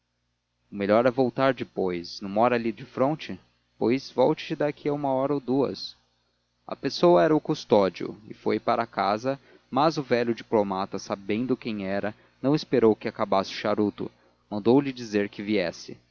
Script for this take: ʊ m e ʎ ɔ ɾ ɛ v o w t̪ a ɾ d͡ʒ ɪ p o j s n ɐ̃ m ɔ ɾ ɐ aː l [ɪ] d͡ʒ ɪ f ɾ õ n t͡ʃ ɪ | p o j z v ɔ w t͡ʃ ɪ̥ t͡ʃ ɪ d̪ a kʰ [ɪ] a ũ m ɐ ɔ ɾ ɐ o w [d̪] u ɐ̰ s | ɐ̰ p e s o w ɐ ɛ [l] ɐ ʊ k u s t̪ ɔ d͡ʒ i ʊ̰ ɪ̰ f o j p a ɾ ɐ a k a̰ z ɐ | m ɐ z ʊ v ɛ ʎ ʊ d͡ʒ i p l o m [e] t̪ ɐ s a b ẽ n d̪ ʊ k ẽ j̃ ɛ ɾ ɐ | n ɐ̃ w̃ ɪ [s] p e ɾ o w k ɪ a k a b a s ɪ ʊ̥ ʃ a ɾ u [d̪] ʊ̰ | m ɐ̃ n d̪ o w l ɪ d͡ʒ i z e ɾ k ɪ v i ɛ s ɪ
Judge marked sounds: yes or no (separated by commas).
no, no, yes, no, no, yes, no